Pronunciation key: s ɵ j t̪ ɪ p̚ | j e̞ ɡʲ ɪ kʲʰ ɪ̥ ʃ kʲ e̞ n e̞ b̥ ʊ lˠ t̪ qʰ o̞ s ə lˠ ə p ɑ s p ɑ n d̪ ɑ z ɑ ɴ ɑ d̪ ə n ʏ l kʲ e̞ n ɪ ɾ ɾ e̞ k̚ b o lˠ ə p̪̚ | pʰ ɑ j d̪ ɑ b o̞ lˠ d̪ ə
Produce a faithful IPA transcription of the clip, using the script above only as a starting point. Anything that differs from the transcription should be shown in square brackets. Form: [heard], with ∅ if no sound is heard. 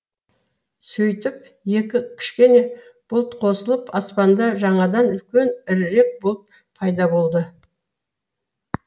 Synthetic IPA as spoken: s ɵ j t̪ ɪ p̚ | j e̞ [kʲ] ɪ kʲʰ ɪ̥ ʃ kʲ e̞ n e̞ b̥ ʊ lˠ t̪ qʰ o̞ s ə lˠ ə p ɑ s p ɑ n d̪ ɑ [ʒ] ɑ ɴ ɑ d̪ [ɑ] n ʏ l kʲ e̞ n ɪ ɾ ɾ e̞ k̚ b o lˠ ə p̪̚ | pʰ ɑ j d̪ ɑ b o̞ lˠ d̪ ə